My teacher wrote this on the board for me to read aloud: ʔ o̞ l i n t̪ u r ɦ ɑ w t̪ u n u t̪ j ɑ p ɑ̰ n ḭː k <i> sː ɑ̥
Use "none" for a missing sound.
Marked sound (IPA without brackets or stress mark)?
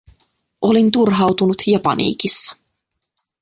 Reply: i